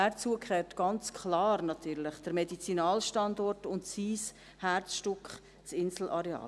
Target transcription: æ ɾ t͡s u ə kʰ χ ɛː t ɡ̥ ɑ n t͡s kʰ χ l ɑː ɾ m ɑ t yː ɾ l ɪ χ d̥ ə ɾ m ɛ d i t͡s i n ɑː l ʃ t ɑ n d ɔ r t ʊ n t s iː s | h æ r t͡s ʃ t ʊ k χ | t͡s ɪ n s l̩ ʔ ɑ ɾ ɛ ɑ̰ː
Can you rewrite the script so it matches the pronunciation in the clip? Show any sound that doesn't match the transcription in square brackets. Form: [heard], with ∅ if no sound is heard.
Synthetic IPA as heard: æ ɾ t͡s u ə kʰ χ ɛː t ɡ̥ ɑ n t͡s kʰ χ l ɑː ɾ [n] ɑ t yː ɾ l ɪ χ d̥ ə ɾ m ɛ d i t͡s i n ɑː l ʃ t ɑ n d ɔ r t ʊ n t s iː s | h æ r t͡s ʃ t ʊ k χ | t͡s ɪ n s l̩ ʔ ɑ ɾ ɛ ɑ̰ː